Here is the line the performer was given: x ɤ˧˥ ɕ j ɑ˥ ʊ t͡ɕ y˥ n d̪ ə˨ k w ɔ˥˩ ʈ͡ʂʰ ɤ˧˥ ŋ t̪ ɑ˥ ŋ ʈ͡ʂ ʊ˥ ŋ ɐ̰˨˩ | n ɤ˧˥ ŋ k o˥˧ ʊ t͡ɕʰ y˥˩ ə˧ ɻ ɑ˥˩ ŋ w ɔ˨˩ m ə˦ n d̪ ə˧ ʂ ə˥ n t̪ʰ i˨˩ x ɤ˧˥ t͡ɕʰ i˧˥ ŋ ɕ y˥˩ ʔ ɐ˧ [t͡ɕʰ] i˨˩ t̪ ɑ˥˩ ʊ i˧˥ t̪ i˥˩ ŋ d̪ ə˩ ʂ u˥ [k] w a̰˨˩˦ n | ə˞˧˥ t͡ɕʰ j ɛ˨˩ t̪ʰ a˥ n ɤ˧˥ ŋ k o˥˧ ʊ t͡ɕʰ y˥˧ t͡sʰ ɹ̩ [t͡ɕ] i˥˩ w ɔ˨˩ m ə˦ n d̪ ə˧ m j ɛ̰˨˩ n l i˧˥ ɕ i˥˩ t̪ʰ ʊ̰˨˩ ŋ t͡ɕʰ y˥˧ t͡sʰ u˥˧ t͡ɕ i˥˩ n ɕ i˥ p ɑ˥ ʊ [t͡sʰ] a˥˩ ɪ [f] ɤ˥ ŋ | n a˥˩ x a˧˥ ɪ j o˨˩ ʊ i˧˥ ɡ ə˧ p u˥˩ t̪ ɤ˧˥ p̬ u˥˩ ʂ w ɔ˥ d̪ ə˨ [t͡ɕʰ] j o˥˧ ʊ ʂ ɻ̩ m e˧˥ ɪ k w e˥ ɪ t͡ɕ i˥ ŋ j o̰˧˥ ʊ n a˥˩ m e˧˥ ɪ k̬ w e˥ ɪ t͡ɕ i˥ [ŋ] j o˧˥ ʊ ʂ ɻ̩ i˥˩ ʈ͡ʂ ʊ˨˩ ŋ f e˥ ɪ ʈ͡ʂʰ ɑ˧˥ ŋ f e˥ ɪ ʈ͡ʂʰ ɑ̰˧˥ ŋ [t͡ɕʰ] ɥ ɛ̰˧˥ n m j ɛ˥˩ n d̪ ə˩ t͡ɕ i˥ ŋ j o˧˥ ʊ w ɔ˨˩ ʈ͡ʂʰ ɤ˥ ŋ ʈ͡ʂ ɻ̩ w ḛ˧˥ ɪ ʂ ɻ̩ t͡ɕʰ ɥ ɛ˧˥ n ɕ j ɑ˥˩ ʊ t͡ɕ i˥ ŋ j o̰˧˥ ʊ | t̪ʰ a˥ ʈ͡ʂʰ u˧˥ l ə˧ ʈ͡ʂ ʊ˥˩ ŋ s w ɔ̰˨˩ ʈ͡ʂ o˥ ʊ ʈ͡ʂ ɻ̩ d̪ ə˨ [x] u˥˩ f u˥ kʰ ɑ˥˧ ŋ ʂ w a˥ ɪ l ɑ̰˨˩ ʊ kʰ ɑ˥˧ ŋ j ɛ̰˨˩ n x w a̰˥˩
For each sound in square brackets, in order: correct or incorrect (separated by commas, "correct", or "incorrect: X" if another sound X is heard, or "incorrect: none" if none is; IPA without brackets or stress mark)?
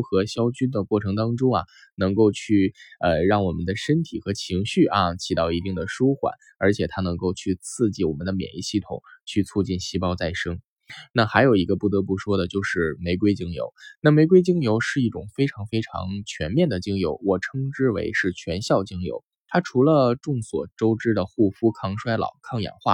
correct, incorrect: x, correct, incorrect: t͡s, incorrect: ʂ, incorrect: t͡ɕ, correct, correct, correct